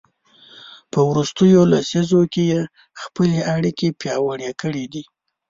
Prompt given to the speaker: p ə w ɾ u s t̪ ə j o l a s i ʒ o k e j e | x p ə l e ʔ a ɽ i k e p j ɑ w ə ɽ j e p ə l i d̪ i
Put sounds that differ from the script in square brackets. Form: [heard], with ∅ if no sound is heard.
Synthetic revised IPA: p ə w ɾ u s t̪ ə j o l a s i [z] o k e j e | x p ə l e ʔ a ɽ i k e p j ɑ w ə ɽ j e [k] ə [ɽ] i d̪ i